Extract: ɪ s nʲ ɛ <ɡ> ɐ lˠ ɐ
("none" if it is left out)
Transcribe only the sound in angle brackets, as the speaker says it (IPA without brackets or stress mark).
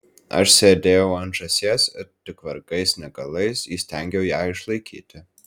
ɡ